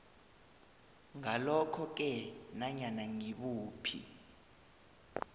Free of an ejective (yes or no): yes